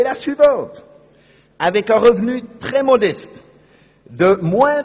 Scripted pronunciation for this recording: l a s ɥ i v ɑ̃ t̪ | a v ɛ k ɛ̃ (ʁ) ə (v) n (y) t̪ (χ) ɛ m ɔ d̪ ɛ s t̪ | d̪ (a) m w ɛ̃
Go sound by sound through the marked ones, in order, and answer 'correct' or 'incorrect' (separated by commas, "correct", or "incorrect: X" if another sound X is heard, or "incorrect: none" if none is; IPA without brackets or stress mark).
correct, correct, correct, correct, incorrect: ə